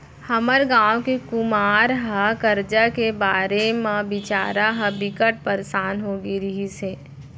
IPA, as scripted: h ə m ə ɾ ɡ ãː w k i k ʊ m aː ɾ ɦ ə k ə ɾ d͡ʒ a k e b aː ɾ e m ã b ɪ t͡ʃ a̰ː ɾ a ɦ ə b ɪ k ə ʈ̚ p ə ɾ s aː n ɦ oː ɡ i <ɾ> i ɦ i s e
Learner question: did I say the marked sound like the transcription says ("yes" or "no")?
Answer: yes